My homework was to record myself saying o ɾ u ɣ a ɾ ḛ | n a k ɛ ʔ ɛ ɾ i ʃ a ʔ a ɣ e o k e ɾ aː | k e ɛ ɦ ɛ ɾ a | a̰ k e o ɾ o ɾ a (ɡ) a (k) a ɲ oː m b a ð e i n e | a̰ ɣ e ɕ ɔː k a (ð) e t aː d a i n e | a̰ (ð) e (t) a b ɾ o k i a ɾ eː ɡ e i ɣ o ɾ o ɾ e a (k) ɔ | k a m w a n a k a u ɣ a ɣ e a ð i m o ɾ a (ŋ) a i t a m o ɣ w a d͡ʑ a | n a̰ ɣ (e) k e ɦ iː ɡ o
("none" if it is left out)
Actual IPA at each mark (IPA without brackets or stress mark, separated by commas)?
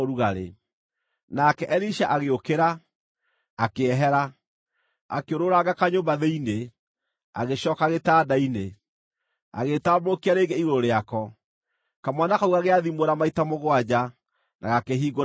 ɡ, k, ɣ, ɣ, t, k, m, a